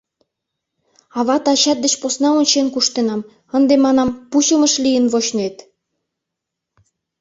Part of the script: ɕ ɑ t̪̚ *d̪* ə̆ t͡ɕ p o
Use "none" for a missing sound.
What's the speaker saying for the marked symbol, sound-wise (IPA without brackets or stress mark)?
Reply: d̪